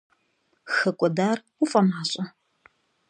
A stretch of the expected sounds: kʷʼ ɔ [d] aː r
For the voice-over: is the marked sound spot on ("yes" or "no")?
yes